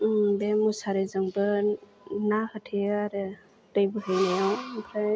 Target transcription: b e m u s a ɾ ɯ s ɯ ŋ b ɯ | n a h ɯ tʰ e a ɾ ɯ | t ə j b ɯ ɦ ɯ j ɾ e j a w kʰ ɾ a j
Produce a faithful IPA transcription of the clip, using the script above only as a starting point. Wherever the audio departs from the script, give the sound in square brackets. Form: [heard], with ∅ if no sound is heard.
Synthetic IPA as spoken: b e m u s a ɾ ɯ [z] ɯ ŋ b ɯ | n a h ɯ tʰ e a ɾ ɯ | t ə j b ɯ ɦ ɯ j [l] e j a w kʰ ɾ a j